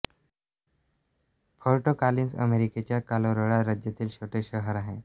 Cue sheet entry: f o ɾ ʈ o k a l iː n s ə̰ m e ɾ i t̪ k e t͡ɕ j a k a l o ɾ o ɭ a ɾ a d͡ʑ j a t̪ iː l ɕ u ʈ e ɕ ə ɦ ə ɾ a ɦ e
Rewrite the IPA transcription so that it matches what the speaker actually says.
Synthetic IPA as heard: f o ɾ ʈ o k a l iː n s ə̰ m e ɾ i k e t͡ɕ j a k a l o ɾ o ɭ a ɾ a d͡ʑ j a t̪ iː l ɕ o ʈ e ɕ ə ɦ ə ɾ a ɦ e